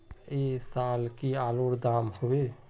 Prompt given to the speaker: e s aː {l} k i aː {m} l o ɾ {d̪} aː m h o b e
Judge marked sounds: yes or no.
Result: yes, no, yes

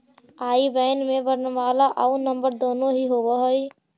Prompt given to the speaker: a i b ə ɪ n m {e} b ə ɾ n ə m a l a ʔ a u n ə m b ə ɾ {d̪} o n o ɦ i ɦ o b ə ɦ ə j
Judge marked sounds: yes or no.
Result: yes, yes

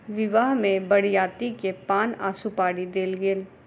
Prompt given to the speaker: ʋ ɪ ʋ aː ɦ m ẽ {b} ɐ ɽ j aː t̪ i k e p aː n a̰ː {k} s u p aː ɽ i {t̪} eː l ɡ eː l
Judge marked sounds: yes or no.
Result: yes, no, no

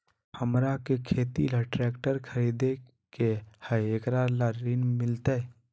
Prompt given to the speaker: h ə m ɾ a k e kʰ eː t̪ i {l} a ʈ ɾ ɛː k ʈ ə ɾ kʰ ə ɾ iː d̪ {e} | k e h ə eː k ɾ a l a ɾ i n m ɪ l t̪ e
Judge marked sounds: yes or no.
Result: yes, yes

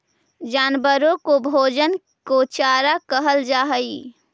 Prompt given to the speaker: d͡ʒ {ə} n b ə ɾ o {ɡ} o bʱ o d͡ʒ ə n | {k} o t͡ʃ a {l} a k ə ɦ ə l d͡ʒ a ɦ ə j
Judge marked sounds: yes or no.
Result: no, no, yes, no

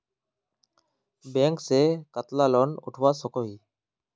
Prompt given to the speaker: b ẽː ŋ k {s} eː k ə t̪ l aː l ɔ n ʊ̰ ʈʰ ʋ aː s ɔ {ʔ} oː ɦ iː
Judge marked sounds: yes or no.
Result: yes, no

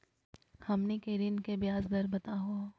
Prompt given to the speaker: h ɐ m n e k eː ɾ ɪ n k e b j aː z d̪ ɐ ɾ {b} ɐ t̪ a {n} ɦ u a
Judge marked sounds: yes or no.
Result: yes, no

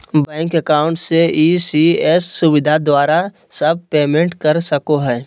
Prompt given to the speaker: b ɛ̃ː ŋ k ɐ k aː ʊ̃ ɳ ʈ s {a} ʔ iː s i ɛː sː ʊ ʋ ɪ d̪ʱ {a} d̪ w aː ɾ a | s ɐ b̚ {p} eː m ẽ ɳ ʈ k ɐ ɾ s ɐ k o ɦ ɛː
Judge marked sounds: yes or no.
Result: no, yes, yes

